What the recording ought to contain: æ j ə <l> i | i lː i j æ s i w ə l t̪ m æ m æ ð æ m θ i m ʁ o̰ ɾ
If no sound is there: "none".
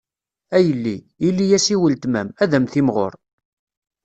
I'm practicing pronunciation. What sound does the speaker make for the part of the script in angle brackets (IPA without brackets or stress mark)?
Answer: lː